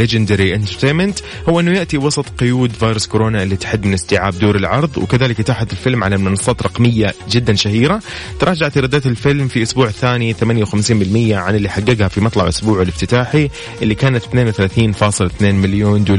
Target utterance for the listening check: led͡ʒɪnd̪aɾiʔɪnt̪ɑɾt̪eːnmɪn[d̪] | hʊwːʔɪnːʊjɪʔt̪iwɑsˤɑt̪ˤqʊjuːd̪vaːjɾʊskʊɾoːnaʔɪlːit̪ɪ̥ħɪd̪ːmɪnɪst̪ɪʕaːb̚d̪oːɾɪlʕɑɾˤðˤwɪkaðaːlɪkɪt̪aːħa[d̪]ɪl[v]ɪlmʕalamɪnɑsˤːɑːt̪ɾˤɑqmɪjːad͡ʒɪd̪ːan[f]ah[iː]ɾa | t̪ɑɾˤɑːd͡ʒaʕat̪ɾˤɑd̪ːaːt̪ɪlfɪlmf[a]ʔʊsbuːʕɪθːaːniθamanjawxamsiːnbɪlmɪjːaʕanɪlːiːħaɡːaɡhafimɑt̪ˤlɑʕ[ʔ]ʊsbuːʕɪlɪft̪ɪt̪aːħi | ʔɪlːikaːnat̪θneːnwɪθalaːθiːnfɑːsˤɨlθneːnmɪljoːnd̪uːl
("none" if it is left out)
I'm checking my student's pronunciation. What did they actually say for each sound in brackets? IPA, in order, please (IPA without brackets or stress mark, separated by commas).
t̪, t̪, f, ʃ, iː, i, ʔ